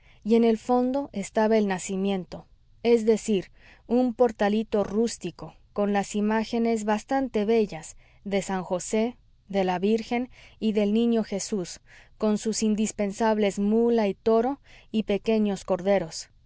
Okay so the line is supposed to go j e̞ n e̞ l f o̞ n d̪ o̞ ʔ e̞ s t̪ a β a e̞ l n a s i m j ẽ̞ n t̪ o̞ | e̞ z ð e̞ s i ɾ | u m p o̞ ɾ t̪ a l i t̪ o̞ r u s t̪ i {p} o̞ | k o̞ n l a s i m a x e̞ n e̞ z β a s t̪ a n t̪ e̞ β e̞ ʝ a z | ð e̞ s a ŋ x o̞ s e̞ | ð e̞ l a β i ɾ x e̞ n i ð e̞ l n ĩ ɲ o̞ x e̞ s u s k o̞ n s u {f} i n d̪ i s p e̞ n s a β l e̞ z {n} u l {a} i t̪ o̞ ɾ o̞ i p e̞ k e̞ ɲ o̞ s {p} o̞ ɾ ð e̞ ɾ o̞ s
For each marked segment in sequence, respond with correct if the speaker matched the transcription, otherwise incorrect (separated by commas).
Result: incorrect, incorrect, incorrect, correct, incorrect